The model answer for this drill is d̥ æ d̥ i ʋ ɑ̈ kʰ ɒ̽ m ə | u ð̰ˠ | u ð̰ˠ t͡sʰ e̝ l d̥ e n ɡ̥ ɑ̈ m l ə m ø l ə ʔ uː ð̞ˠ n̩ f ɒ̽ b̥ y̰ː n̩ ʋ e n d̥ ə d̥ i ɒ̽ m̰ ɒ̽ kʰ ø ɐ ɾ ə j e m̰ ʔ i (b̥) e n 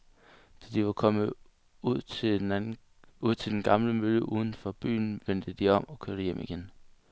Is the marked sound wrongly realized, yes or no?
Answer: yes